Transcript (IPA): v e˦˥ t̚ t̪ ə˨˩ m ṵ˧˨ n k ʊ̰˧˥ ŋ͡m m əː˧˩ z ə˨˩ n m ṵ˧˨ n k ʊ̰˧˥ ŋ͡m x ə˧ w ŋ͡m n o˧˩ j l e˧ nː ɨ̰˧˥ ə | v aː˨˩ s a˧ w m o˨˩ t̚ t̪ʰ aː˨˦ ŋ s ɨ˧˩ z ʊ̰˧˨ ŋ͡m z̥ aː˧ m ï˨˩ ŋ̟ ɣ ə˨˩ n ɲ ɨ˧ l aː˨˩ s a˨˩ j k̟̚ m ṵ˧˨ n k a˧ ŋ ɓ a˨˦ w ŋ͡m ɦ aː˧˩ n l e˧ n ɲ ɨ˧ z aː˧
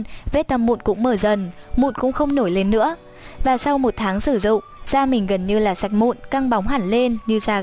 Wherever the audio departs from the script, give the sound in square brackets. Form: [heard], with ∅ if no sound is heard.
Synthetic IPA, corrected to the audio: v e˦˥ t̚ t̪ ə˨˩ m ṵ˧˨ n k ʊ̰˧˥ ŋ͡m m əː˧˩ z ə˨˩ n m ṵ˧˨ n k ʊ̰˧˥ ŋ͡m x ə˧ w ŋ͡m n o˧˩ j l e˧ nː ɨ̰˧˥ ə | v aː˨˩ s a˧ w m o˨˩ t̚ t̪ʰ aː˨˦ ŋ s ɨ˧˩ z ʊ̰˧˨ ŋ͡m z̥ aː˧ m ï˨˩ ŋ̟ ɣ ə˨˩ n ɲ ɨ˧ l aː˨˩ s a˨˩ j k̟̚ m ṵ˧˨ n k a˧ ŋ ɓ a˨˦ w ŋ͡m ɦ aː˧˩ n l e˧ n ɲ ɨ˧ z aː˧

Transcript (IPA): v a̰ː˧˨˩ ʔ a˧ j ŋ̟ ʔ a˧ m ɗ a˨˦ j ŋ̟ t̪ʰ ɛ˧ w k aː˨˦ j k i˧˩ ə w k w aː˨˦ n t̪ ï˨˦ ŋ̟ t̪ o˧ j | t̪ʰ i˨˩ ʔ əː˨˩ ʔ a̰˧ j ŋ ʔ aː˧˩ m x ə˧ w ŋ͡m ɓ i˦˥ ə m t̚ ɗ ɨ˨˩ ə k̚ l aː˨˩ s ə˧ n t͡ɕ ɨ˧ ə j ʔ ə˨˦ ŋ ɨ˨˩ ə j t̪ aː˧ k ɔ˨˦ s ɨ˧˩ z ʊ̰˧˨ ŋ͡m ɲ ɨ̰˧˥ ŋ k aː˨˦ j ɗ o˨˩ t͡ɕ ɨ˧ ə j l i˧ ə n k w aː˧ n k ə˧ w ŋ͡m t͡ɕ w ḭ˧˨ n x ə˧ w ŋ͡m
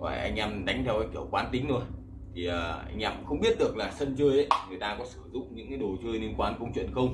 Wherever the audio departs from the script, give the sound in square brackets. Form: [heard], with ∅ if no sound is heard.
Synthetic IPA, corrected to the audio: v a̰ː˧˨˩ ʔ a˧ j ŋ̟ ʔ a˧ m ɗ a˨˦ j ŋ̟ t̪ʰ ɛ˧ w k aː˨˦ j k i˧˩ ə w k w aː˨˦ n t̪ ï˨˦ ŋ̟ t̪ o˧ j | t̪ʰ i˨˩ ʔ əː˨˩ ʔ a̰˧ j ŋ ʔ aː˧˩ m x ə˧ w ŋ͡m ɓ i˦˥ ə [∅] t̚ ɗ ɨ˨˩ ə k̚ l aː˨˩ s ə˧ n t͡ɕ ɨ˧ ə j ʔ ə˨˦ ŋ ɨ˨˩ ə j t̪ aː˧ k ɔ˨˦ s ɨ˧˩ z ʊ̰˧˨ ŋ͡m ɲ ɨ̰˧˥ ŋ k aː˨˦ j ɗ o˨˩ t͡ɕ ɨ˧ ə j l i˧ ə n k w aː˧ n k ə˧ w ŋ͡m t͡ɕ w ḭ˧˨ n x ə˧ w ŋ͡m

